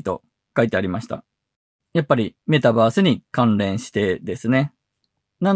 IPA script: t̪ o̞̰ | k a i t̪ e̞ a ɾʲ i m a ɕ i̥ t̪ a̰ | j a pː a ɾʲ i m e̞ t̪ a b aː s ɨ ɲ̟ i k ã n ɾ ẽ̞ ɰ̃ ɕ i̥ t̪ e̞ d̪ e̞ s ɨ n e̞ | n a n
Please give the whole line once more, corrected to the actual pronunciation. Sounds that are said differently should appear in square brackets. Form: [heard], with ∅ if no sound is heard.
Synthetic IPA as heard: t̪ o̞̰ | k a i t̪ e̞ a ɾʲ i m a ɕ i̥ t̪ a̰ | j a pː a ɾʲ i m e̞ t̪ a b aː s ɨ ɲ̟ i k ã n ɾ ẽ̞ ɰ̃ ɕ i̥ t̪ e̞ d̪ e̞ s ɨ n e̞ | n a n